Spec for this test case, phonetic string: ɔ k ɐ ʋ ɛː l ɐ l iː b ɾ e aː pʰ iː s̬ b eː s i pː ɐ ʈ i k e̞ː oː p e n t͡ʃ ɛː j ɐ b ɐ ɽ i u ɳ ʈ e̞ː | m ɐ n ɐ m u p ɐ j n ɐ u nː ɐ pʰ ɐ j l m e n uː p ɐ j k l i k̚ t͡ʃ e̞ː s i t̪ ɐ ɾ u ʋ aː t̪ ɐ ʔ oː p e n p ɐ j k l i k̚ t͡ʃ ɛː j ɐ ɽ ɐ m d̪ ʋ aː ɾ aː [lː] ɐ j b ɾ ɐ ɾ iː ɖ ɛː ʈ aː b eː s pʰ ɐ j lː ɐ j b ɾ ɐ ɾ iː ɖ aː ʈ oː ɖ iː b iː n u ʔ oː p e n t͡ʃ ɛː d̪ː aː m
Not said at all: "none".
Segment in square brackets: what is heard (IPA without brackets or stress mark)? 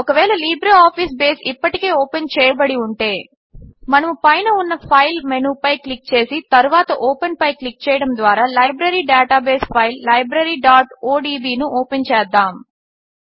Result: l